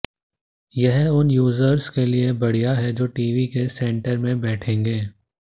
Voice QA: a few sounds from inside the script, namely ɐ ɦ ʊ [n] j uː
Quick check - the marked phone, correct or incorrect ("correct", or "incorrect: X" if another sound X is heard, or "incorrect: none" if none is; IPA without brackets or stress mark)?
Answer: correct